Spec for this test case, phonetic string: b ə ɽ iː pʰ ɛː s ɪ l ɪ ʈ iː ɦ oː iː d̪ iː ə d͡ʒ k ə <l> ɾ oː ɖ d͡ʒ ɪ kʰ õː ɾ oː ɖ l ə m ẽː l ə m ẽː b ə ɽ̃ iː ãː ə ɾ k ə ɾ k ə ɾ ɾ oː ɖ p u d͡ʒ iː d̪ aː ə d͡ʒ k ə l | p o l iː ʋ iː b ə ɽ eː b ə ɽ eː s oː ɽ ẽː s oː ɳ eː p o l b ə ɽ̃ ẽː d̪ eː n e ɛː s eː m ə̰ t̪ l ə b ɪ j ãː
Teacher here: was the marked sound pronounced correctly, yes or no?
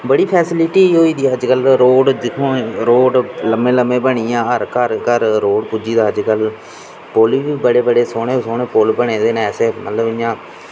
yes